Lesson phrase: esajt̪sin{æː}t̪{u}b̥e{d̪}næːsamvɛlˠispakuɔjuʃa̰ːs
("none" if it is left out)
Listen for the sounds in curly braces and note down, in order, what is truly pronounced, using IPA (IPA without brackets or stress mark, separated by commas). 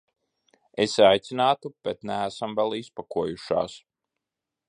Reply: aː, u, t̪